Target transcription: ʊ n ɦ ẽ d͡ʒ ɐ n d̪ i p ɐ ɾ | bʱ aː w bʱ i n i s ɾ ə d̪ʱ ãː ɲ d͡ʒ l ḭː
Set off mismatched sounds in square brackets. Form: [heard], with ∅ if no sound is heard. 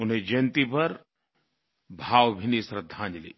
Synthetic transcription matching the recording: ʊ n ɦ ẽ d͡ʒ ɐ n [t̪] i p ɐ ɾ | bʱ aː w bʱ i n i s ɾ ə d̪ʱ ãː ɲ d͡ʒ l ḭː

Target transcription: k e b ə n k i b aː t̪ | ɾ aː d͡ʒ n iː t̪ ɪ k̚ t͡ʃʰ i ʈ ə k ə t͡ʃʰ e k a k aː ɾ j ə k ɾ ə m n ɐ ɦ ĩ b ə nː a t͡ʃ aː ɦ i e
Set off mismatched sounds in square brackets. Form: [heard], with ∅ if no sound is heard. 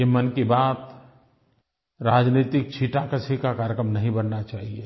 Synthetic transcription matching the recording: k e [m] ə n k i b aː t̪ | ɾ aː d͡ʒ n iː t̪ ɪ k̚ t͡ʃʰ i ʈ [a] k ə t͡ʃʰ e k a k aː ɾ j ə k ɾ ə m n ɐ ɦ ĩ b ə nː a t͡ʃ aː ɦ i e

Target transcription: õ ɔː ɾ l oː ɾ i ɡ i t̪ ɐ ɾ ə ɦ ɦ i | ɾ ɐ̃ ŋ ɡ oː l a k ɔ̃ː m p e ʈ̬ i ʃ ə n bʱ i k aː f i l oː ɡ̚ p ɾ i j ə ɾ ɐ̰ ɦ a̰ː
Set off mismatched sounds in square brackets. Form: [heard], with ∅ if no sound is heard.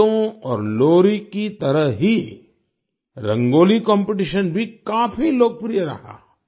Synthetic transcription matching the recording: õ ɔː ɾ l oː ɾ i [k] i t̪ ɐ ɾ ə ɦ ɦ i | ɾ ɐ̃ ŋ ɡ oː l [i] k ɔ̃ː m p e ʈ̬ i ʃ ə n bʱ i k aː f i l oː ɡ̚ p ɾ i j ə ɾ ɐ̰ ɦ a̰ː

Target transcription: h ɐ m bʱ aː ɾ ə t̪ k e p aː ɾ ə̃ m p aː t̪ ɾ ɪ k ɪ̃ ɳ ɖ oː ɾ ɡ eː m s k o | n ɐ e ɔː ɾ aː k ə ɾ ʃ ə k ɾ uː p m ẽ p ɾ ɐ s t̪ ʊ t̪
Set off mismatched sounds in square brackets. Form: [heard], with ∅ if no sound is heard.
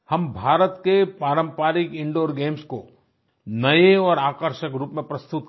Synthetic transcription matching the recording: h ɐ m bʱ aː ɾ ə t̪ k e p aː ɾ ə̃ m p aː [∅] ɾ ɪ k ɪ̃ ɳ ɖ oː ɾ ɡ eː m s k o | n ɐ e ɔː ɾ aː k ə ɾ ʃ ə k ɾ uː p m ẽ p ɾ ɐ s t̪ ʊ t̪

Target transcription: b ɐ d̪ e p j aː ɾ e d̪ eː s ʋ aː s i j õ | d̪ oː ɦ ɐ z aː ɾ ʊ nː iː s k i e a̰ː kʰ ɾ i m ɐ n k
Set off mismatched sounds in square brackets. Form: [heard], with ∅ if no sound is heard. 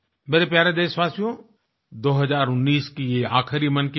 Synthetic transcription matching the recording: b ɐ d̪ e p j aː ɾ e d̪ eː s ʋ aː s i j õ | d̪ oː ɦ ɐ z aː ɾ ʊ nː iː s k i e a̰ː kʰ ɾ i m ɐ n k

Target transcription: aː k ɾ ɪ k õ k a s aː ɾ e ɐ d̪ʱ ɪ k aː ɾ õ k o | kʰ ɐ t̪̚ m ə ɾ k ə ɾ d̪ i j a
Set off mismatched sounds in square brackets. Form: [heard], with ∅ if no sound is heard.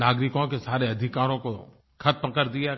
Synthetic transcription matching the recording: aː [ɡ] ɾ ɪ k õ k [e] s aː ɾ e ɐ d̪ʱ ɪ k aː ɾ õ k o | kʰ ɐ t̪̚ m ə [∅] k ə ɾ d̪ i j a

